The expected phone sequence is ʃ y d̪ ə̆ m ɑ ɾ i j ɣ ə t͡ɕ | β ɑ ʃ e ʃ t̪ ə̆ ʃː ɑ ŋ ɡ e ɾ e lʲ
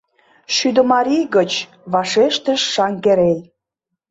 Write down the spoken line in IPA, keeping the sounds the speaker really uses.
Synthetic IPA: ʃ y d̪ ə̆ m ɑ ɾ i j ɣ ə t͡ɕ | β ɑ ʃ e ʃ t̪ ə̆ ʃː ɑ ŋ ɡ e ɾ e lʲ